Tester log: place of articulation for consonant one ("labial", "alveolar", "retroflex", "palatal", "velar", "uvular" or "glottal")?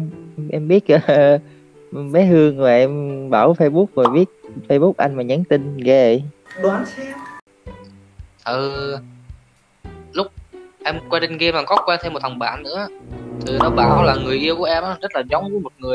glottal